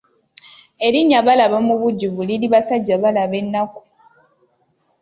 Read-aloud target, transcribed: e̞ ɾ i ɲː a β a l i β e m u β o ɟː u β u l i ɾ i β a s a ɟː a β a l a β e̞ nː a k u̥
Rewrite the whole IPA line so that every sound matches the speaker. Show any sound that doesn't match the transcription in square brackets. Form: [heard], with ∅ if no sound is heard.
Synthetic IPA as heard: e̞ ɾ i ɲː a β a l [a] β [a] m u β [u] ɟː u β u l i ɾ i β a s a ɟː a β a l a β e̞ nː a k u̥